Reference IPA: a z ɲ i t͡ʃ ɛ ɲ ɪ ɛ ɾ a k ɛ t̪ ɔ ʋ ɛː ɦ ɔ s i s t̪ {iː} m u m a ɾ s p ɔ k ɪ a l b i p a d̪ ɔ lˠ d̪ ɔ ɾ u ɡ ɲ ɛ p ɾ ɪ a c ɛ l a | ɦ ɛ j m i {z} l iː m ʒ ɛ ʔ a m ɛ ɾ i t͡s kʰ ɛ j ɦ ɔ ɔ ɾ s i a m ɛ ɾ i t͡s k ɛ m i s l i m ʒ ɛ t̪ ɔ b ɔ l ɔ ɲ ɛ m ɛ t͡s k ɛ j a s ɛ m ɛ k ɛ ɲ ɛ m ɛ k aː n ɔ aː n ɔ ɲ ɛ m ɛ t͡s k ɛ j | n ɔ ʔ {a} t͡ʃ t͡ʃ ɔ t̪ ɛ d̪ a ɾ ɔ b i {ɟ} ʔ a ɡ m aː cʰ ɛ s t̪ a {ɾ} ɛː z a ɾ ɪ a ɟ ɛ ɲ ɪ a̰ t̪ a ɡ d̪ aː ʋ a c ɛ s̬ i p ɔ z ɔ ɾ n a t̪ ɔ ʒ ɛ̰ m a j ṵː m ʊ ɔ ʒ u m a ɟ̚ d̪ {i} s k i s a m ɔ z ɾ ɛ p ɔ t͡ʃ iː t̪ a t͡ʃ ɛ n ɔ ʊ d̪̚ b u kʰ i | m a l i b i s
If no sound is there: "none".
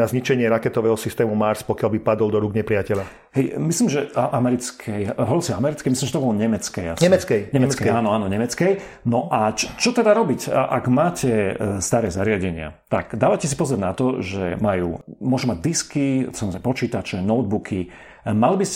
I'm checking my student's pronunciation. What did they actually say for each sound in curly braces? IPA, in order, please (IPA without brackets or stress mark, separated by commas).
ɛː, s, a, c, ɾ, i